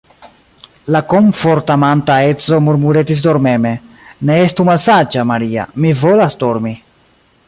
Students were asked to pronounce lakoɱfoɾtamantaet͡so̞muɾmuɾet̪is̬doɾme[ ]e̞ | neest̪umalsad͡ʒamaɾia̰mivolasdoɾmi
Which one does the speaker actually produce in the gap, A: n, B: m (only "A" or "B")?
B